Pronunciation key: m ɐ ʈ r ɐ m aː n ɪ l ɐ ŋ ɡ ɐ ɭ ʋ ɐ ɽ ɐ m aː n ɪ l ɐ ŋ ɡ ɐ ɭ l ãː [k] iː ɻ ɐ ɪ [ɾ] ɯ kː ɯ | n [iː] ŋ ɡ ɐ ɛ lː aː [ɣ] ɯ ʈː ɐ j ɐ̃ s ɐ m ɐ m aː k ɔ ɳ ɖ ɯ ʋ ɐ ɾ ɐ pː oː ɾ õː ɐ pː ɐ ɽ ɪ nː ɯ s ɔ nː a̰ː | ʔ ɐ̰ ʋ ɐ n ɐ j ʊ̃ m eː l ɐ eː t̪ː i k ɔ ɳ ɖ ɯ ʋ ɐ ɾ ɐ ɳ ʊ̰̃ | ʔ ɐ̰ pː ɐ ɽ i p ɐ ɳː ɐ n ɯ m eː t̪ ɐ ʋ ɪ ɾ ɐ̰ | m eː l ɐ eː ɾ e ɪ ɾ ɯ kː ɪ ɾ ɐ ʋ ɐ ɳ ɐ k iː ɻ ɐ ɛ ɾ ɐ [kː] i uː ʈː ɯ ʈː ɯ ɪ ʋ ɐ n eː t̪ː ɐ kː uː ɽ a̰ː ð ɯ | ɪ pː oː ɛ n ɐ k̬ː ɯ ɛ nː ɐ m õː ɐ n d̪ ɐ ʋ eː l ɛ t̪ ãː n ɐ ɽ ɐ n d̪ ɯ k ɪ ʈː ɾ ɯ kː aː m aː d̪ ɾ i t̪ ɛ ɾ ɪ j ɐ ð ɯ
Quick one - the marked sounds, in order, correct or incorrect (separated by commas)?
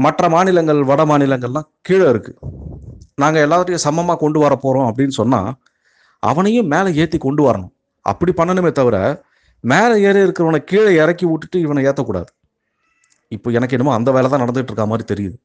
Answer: correct, correct, incorrect, incorrect, correct